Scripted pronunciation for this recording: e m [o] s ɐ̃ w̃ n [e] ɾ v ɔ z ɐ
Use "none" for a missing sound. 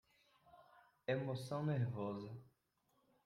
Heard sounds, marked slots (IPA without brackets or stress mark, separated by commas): o, e